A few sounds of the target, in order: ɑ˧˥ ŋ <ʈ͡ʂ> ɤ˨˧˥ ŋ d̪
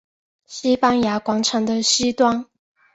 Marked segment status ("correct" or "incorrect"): incorrect